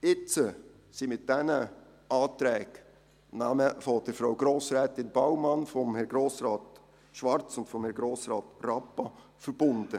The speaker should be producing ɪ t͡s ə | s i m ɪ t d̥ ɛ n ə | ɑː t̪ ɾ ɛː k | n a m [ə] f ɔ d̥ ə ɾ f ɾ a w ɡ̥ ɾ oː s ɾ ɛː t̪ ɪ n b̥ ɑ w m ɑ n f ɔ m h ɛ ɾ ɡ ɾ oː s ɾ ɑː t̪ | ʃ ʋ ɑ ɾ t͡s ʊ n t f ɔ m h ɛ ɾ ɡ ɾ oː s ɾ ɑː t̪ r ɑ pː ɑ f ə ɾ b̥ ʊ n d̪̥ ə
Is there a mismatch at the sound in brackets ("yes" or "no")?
no